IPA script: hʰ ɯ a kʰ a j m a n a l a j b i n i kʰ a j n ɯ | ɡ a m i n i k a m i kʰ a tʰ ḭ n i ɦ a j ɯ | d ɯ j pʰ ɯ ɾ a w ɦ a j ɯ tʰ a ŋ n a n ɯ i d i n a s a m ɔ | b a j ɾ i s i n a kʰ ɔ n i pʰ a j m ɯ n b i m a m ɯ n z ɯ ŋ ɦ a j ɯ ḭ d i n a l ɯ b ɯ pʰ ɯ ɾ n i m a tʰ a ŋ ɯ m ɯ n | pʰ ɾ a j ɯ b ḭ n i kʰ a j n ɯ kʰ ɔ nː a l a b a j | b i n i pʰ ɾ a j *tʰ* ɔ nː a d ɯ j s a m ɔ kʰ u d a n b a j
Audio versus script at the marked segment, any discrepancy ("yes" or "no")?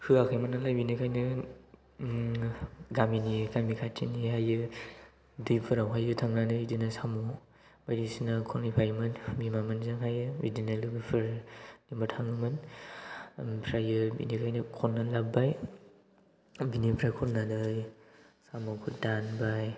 yes